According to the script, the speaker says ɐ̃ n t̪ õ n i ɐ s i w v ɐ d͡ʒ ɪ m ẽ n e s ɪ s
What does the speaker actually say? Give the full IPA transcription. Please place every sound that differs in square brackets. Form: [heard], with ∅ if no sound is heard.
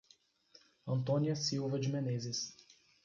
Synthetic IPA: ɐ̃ n t̪ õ n i ɐ s i w v ɐ d͡ʒ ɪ m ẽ n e [z] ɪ s